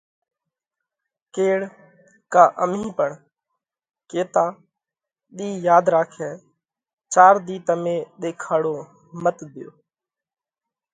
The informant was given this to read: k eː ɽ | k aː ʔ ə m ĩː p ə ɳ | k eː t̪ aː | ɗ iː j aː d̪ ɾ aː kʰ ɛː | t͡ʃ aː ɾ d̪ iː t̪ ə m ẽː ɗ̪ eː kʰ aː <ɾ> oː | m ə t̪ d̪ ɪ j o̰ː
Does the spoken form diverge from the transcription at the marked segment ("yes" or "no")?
yes